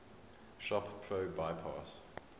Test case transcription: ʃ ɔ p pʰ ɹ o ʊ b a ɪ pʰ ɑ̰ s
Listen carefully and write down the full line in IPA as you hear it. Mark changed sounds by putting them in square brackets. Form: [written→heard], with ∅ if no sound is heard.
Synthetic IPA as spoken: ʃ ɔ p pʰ ɹ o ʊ b a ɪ pʰ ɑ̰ s